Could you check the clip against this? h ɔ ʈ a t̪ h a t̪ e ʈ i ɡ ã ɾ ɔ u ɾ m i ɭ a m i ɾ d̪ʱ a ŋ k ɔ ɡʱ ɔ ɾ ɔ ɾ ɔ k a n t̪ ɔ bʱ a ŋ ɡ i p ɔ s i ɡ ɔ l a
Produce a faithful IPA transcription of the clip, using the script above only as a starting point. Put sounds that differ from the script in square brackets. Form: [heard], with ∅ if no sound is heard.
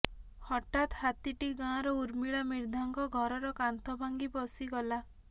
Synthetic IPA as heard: h ɔ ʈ a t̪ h a t̪ [i] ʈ i ɡ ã ɾ ɔ u ɾ m i ɭ a m i ɾ d̪ʱ a ŋ k ɔ ɡʱ ɔ ɾ ɔ ɾ ɔ k a n t̪ ɔ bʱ a ŋ ɡ i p ɔ s i ɡ ɔ l a